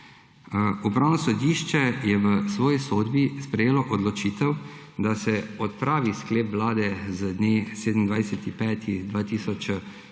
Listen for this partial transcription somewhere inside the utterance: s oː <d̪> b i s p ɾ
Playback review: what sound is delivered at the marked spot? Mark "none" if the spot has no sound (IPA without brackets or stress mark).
d̪